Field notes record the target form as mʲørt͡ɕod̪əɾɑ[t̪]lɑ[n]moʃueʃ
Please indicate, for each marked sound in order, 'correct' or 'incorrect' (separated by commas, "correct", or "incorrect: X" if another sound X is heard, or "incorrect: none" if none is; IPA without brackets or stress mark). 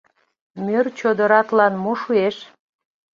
correct, correct